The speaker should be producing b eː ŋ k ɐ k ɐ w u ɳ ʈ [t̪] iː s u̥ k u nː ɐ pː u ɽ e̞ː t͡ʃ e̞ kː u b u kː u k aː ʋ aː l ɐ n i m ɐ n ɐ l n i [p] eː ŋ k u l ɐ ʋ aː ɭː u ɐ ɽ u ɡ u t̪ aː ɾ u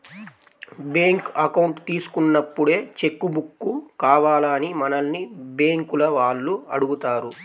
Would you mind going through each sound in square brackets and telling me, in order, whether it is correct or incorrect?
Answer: correct, incorrect: b

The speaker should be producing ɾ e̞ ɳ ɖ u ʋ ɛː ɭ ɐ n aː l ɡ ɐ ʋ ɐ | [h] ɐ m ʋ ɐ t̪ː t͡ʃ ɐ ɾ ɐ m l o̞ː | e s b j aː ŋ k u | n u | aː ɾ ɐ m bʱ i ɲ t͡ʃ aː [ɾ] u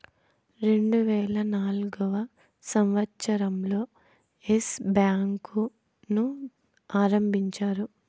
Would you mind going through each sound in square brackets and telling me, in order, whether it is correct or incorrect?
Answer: incorrect: s, correct

